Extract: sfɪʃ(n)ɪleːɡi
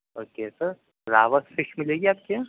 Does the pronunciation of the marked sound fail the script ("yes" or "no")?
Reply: yes